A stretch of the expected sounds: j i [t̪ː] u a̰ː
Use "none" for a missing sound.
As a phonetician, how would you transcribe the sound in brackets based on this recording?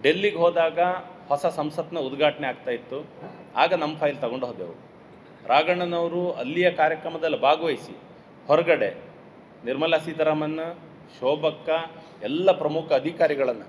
t̪ː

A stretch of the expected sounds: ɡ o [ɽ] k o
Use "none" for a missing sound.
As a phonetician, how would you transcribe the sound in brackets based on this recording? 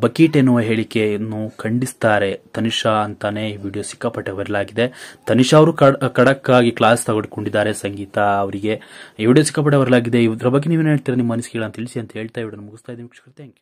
ɽ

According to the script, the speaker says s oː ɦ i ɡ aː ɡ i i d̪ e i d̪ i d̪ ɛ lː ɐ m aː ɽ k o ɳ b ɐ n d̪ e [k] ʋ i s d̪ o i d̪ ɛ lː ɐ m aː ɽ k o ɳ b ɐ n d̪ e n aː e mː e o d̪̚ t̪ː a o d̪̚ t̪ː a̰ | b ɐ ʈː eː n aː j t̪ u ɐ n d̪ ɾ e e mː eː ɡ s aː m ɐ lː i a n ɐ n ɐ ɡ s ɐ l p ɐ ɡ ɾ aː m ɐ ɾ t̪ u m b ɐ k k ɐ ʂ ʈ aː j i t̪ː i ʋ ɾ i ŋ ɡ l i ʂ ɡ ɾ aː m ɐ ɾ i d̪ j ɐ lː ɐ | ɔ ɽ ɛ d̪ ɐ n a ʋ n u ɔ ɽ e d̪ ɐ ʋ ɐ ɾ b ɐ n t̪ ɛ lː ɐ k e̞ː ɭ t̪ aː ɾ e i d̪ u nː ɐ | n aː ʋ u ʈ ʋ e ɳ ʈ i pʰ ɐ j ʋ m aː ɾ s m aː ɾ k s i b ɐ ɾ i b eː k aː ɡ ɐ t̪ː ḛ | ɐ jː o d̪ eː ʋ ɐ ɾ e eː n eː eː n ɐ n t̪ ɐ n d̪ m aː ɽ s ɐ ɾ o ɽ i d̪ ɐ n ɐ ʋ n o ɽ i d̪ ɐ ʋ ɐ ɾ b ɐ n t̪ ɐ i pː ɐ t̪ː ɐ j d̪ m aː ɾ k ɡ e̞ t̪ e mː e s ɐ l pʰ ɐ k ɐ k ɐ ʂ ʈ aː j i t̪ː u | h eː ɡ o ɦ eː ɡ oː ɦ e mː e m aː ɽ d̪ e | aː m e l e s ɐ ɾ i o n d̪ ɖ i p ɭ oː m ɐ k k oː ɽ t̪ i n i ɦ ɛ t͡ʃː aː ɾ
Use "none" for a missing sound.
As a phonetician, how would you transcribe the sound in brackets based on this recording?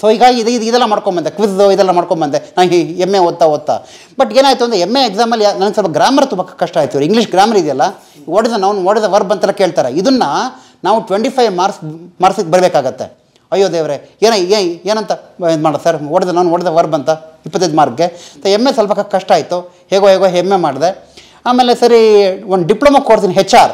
k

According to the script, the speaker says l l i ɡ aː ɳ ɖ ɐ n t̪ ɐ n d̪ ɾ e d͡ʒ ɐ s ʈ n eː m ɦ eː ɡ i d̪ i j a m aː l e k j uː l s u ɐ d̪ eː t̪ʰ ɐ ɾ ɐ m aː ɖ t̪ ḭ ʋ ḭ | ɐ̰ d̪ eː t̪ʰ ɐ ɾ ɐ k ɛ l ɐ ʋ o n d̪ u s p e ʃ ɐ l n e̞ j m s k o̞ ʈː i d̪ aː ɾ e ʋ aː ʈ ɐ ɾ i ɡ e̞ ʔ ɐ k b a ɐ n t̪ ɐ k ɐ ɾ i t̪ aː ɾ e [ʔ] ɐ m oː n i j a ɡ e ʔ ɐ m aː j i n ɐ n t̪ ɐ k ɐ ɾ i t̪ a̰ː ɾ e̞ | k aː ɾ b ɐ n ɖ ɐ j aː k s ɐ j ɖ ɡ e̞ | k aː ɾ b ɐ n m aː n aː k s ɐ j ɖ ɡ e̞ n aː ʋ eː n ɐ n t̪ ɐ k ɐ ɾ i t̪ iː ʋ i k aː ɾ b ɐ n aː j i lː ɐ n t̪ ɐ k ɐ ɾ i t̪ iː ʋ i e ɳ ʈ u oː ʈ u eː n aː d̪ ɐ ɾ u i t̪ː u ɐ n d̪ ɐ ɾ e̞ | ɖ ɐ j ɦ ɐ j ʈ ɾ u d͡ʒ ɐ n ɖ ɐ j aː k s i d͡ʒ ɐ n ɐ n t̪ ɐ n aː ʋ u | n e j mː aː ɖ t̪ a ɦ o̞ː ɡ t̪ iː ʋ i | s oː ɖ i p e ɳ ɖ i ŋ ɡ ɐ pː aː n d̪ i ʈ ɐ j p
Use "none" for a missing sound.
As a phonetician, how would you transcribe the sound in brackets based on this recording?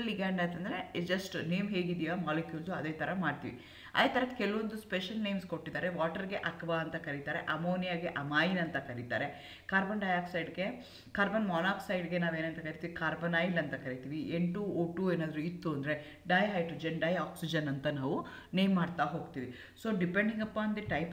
ʔ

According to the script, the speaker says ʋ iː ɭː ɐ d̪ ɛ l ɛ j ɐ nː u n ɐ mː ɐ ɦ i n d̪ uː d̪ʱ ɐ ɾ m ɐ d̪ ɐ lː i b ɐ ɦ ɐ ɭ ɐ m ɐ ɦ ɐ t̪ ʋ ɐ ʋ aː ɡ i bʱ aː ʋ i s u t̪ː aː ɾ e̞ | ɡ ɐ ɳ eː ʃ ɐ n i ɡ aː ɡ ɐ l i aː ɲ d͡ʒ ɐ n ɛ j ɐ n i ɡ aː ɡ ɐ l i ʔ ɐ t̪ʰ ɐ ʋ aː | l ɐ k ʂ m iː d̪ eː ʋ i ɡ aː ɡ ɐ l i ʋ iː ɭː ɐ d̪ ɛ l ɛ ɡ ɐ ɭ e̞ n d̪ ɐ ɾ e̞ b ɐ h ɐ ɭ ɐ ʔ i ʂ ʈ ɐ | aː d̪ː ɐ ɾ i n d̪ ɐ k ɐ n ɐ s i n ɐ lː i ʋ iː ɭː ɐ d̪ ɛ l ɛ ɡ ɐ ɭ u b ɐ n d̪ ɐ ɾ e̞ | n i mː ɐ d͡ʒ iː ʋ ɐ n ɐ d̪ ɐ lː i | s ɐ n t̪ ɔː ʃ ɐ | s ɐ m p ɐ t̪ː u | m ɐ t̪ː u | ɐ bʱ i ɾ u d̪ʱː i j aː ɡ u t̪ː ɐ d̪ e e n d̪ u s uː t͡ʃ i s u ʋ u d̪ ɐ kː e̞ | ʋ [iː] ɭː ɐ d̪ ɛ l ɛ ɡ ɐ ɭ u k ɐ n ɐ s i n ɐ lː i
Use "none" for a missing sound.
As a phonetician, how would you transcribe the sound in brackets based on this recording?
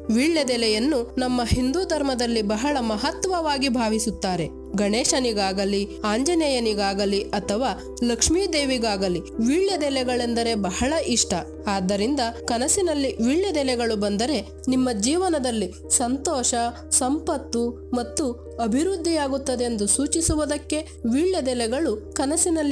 iː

